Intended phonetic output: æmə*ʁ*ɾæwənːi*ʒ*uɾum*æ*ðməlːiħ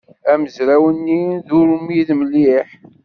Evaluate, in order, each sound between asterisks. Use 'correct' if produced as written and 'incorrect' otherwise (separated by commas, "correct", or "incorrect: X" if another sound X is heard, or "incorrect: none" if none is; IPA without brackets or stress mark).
incorrect: z, incorrect: ð, incorrect: i